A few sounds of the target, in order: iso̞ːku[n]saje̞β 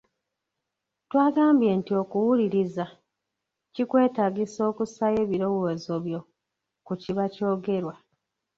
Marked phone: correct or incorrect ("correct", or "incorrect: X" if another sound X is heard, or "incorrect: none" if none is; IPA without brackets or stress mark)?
incorrect: none